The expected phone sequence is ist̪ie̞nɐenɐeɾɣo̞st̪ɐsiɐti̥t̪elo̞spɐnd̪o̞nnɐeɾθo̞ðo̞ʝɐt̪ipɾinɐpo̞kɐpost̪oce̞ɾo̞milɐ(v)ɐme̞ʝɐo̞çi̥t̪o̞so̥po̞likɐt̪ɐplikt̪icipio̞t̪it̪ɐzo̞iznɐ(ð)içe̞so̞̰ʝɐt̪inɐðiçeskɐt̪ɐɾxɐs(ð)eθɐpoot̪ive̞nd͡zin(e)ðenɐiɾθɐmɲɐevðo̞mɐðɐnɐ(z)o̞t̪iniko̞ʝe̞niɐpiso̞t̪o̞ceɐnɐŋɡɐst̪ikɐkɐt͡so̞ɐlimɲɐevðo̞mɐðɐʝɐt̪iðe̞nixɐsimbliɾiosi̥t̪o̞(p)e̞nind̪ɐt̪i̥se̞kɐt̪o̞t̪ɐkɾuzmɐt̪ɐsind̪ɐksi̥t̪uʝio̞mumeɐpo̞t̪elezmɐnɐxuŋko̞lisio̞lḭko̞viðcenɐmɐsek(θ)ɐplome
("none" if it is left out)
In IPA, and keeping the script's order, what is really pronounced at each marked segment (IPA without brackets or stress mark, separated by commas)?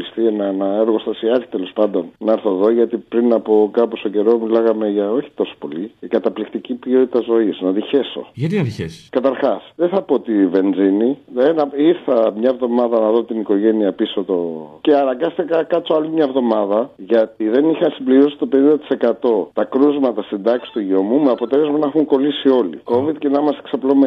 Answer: ɣ, ð, ð, i, ð, p, s